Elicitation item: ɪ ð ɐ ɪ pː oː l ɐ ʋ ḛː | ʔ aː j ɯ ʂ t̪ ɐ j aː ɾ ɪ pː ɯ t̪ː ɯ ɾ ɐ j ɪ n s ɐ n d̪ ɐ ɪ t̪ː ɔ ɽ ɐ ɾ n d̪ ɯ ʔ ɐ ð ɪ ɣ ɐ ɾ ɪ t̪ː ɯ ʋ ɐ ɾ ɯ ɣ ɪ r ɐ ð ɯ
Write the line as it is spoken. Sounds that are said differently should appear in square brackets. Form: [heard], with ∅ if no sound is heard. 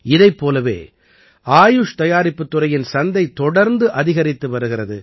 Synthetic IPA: ɪ ð ɐ ɪ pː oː l ɐ ʋ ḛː | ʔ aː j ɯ ʂ t̪ ɐ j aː ɾ ɪ pː ɯ t̪ː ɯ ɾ ɐ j ɪ n s ɐ n d̪ ɐ ɪ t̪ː ɔ ɽ ɐ ɾ n d̪ ɯ ʔ ɐ ð ɪ ɣ ɐ ɾ ɪ t̪ː ɯ ʋ ɐ ɾ ɯ ɣ ɪ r ɐ ð ɯ